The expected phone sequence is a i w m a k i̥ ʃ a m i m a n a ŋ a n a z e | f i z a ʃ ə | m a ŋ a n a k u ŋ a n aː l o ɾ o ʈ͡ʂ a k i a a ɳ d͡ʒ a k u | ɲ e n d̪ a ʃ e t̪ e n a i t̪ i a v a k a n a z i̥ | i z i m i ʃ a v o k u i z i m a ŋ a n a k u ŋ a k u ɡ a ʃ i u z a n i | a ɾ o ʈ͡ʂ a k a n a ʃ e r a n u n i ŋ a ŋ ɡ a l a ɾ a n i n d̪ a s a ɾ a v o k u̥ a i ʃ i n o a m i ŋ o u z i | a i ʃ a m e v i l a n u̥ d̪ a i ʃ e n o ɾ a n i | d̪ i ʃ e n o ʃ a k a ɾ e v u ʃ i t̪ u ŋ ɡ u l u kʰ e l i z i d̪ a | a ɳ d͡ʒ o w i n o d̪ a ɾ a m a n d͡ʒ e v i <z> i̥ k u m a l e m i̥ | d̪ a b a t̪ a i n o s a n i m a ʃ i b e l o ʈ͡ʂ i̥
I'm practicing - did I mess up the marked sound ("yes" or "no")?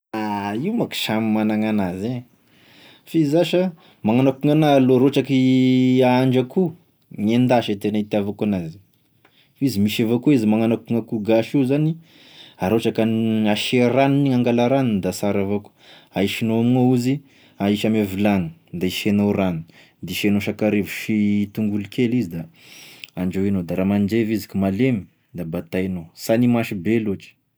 no